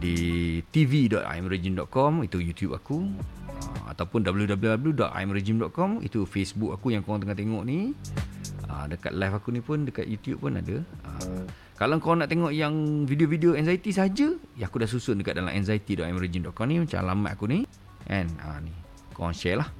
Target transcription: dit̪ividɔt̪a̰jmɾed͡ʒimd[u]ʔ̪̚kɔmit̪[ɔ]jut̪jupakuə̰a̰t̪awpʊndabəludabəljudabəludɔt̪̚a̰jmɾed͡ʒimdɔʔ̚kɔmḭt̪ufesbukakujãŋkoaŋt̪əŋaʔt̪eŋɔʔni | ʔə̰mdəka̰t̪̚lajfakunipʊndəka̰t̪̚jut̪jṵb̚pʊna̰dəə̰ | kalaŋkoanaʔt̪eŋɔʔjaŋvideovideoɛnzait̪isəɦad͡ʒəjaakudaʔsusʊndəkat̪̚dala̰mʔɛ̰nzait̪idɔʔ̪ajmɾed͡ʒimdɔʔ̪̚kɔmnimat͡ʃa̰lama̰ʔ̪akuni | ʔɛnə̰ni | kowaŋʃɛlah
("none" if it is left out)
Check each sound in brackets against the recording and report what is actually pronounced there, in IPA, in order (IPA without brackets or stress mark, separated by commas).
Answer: ɔ, u